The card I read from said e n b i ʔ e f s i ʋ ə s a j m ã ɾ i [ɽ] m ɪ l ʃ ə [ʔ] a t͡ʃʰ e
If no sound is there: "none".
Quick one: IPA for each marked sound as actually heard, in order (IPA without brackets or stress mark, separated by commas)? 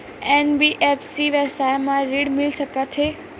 ɽ, k